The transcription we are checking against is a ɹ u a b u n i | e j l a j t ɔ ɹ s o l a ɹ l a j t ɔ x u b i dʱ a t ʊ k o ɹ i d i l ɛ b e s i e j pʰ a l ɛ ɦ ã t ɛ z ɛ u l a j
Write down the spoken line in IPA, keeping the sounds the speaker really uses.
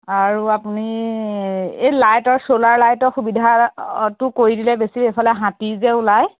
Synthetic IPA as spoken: a ɹ u a p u n i | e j l a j t ɔ ɹ s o l a ɹ l a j t ɔ x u b i dʱ a t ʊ k o ɹ i d i l ɛ b e s i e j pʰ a l ɛ ɦ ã t i z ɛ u l a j